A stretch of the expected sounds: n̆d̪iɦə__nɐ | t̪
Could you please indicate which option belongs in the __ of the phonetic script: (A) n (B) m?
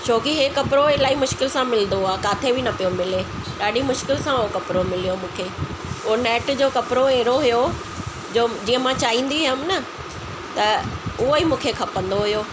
B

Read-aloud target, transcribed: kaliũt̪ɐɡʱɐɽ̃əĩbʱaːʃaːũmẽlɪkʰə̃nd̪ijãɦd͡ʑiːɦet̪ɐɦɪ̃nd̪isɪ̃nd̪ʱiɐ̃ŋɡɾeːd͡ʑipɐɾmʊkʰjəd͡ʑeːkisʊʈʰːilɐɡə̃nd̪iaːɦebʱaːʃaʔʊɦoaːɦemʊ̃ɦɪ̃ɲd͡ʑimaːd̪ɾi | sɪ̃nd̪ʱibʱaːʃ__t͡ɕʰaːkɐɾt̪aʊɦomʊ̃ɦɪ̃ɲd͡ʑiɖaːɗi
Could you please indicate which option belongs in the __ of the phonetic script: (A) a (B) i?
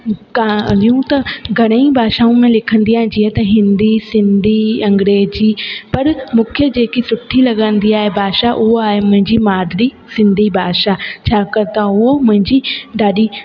A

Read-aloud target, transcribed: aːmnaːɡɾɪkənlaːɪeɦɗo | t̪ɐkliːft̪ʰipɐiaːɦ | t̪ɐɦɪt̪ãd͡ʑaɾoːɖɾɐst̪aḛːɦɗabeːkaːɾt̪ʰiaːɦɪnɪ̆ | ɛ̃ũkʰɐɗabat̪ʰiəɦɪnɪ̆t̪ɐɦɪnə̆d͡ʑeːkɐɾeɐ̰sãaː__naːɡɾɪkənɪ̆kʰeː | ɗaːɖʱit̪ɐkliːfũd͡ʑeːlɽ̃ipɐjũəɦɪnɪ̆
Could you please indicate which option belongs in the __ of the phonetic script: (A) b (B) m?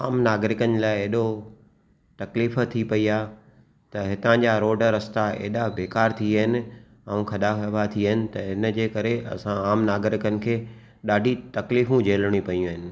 B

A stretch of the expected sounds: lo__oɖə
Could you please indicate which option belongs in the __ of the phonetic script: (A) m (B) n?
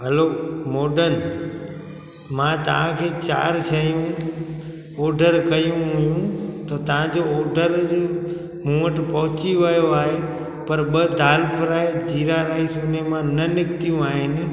A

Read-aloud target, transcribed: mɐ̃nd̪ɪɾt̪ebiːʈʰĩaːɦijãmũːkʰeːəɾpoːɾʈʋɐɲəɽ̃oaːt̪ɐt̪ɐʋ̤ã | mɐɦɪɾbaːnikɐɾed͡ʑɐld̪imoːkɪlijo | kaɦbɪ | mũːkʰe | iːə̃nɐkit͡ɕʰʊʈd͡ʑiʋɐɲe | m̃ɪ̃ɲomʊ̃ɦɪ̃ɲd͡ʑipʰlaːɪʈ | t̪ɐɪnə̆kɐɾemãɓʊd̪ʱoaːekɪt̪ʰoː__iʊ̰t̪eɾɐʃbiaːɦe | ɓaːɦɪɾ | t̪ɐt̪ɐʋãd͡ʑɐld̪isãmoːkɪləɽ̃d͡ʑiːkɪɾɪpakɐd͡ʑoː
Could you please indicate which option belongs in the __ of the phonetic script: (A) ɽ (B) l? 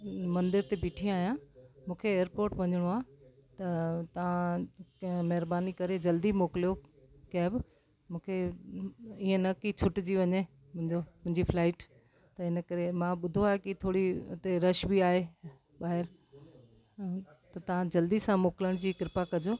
A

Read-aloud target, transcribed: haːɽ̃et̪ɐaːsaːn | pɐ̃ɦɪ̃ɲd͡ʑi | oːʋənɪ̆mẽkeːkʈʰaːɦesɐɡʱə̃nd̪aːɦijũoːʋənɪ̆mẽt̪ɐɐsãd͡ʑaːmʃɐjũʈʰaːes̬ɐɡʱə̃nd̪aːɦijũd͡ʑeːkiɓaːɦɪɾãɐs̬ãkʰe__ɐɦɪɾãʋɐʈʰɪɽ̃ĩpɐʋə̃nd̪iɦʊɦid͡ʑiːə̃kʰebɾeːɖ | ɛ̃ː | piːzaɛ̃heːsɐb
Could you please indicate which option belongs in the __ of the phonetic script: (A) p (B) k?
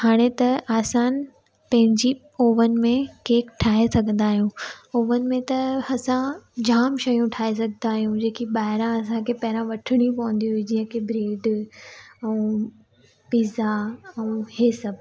A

